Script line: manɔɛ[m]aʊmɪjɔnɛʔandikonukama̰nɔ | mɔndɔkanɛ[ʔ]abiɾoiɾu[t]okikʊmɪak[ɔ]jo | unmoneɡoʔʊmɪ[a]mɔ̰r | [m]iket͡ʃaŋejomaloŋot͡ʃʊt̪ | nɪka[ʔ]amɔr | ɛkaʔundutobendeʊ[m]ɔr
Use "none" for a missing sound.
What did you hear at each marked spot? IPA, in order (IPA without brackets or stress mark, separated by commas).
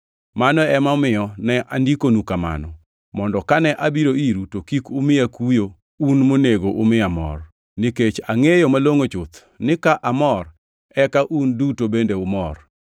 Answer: m, ʔ, t, u, a, n, ʔ, m